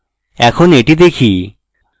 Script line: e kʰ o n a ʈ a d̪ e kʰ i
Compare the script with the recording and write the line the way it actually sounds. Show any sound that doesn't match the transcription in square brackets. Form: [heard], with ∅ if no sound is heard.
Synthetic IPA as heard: [ɛ] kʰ o n [e] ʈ [i] d̪ e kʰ i